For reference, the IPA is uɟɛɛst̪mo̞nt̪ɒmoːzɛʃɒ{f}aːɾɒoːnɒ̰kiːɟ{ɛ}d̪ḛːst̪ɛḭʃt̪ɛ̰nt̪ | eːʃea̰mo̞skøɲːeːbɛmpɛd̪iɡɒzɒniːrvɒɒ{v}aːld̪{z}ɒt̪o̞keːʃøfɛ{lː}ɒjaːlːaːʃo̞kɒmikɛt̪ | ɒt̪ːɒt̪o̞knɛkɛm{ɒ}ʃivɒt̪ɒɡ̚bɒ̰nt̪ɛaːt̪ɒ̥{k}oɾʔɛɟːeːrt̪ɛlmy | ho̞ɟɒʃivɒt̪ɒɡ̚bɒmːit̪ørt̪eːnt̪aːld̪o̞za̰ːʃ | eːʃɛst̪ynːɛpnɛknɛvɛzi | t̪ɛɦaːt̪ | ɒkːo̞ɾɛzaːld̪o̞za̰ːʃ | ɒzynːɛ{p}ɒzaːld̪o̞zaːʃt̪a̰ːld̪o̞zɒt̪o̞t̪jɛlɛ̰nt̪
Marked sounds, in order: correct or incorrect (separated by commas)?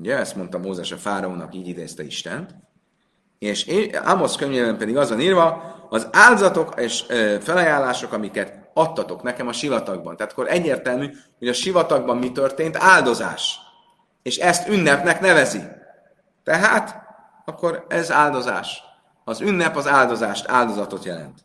correct, incorrect, incorrect, correct, incorrect, correct, correct, correct